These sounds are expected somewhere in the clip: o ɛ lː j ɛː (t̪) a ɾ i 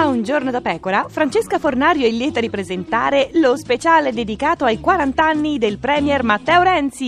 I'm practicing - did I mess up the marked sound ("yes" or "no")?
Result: no